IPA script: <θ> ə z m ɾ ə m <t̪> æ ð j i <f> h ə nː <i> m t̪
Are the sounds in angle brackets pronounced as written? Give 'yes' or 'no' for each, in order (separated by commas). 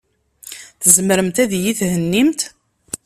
yes, yes, no, yes